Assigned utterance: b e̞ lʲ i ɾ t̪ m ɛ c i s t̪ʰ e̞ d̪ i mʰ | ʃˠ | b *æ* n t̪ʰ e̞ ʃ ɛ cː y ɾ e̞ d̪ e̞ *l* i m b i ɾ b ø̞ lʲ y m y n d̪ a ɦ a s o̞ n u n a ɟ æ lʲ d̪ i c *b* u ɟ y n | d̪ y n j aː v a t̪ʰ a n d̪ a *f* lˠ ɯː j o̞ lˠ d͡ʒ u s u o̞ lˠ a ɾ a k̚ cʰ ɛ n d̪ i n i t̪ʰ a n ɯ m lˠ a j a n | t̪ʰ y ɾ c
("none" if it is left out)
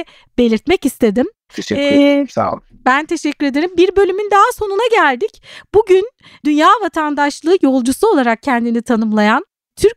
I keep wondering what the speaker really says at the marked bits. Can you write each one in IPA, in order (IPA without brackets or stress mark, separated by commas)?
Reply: æ, ɾ, b, ʃ